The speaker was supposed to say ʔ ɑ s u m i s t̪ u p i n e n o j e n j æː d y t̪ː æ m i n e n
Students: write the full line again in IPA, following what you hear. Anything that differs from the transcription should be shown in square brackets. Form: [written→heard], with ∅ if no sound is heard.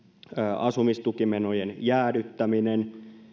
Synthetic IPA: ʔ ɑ s u m i s t̪ u [p→k] i [n→m] e n o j e n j æː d y t̪ː æ m i n e n